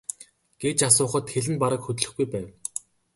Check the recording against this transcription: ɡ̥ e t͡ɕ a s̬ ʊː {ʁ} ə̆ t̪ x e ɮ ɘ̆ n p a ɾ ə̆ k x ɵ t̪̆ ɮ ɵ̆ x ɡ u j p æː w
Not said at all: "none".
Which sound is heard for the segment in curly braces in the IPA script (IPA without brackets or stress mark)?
χ